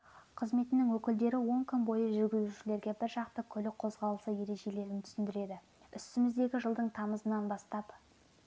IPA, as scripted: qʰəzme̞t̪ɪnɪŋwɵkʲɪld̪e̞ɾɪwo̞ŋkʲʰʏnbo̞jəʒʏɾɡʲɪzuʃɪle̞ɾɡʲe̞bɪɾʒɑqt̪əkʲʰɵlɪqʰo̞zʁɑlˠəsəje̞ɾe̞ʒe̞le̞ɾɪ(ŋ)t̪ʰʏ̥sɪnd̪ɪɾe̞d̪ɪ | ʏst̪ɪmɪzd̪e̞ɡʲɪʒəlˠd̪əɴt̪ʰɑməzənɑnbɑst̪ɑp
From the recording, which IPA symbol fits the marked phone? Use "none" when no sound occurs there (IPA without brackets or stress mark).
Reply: n